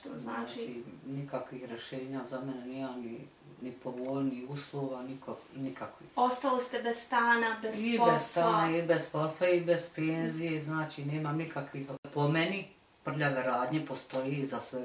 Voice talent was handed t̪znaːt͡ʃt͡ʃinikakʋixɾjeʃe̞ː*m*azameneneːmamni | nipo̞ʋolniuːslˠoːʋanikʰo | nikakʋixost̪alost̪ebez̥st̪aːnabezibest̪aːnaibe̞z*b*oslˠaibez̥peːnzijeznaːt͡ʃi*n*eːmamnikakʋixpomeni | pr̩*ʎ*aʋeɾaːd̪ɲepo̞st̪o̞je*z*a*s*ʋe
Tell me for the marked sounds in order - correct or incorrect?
incorrect: ɲ, incorrect: p, correct, correct, correct, correct

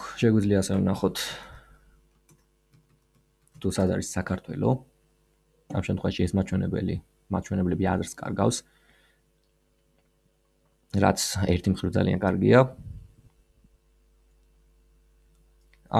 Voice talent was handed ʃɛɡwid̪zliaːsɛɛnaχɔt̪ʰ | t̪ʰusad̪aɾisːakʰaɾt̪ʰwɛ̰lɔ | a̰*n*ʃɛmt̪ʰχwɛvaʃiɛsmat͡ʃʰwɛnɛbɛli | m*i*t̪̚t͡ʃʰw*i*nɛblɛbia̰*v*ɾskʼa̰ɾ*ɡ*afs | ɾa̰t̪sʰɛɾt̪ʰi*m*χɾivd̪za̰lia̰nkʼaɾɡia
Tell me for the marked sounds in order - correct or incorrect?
incorrect: m, incorrect: a, incorrect: ɛ, incorrect: z, correct, correct

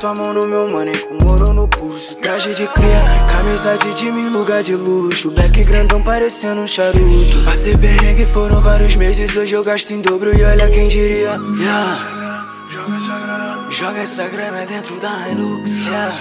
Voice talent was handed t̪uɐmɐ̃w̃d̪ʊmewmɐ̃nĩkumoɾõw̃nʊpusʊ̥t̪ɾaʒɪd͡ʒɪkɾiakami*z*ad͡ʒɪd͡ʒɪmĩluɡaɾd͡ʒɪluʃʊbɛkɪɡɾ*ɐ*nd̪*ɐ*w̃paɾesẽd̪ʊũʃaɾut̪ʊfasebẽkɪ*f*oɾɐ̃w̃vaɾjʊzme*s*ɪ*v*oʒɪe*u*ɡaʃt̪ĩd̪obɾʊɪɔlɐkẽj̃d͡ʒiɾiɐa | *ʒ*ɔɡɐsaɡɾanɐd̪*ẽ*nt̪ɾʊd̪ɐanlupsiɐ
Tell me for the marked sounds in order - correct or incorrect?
correct, incorrect: ɐ̃, incorrect: ɐ̃, correct, incorrect: z, incorrect: z, incorrect: w, correct, correct

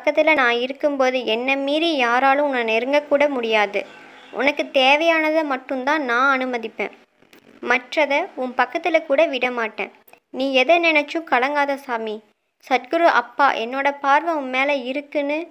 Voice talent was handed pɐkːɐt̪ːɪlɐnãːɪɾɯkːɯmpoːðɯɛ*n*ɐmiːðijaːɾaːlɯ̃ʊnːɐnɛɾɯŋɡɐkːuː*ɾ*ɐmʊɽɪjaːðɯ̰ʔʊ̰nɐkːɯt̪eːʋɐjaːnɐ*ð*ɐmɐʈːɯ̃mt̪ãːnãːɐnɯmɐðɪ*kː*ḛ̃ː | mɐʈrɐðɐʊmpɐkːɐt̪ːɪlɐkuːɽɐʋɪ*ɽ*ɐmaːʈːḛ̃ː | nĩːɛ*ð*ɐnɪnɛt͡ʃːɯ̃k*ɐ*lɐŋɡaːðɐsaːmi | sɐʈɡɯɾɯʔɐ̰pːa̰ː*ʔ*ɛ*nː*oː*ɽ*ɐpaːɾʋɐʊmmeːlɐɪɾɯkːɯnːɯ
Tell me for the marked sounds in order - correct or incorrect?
incorrect: nː, incorrect: ɽ, correct, incorrect: pː, correct, correct, correct, correct, correct, correct

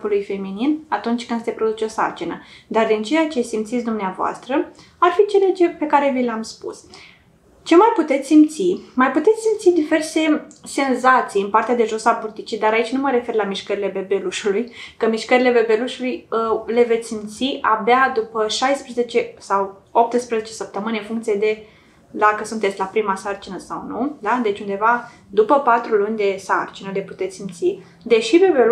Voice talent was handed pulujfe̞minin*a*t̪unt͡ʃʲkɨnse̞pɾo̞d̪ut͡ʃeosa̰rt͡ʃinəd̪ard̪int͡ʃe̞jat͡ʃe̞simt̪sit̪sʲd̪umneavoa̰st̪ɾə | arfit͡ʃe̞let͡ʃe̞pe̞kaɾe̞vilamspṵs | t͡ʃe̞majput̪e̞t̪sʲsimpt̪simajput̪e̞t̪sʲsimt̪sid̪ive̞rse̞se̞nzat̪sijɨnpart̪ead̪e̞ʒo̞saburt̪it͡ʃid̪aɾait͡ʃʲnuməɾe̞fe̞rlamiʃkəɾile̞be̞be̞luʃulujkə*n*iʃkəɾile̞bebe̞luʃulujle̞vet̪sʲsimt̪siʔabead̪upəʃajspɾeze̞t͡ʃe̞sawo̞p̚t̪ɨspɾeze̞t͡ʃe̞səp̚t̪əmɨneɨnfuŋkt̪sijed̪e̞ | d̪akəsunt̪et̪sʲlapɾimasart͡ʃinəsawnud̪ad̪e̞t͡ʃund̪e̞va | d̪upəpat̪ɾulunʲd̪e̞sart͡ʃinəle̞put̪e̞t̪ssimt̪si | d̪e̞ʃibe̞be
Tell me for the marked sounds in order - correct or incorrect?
correct, incorrect: m

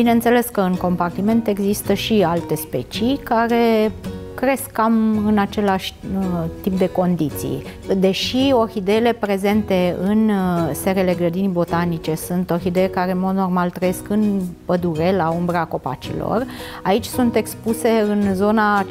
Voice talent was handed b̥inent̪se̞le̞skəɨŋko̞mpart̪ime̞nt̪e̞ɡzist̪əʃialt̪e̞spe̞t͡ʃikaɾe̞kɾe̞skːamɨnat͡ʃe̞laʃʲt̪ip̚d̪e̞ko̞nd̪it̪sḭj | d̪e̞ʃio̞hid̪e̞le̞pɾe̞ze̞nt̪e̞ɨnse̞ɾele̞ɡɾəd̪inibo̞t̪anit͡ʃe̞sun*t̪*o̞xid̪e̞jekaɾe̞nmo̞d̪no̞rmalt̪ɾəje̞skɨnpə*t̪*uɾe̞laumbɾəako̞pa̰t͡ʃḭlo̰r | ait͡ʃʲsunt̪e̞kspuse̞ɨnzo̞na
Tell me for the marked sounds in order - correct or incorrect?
correct, incorrect: d̪

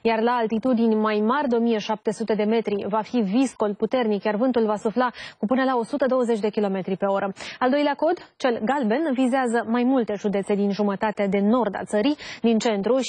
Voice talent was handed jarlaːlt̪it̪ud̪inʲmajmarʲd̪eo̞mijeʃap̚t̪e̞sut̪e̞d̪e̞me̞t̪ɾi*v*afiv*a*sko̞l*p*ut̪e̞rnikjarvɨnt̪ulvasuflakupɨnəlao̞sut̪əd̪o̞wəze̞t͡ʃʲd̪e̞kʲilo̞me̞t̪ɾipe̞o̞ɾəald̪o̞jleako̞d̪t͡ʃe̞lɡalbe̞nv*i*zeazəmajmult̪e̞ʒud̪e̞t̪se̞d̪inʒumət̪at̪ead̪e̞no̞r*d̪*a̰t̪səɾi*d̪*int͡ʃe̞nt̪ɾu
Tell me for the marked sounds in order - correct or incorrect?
correct, incorrect: i, correct, correct, correct, correct

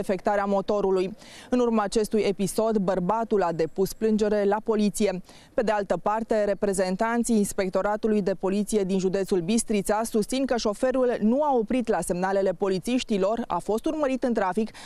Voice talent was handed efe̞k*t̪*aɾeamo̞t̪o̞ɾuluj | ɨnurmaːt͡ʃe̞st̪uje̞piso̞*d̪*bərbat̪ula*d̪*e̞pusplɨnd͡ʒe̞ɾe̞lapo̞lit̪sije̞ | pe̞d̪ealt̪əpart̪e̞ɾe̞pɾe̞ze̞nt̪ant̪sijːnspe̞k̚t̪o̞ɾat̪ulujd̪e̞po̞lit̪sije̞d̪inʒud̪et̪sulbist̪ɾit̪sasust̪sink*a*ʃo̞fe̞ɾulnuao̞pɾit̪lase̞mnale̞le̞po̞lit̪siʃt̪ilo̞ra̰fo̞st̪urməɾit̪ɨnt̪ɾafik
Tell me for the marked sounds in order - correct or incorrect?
correct, correct, correct, incorrect: ə

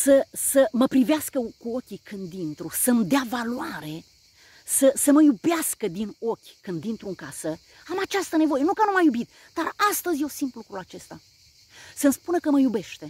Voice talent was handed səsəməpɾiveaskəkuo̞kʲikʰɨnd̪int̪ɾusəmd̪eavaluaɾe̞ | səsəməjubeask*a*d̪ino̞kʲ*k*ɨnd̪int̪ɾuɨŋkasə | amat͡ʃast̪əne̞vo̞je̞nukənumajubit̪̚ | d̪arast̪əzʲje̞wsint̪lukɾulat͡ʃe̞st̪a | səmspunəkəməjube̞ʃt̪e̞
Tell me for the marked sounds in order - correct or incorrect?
incorrect: ə, correct

